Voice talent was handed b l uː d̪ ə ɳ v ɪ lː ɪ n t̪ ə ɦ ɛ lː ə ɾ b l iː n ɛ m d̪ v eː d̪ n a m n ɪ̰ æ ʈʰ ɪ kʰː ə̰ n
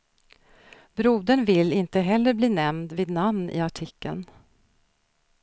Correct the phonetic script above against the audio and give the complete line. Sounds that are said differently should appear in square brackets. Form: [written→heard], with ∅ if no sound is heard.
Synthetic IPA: b [l→ɾ] uː d̪ ə ɳ v ɪ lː ɪ n t̪ ə ɦ ɛ lː ə ɾ b l iː n ɛ m d̪ v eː d̪ n a m n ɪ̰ [æ→a] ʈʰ ɪ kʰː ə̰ n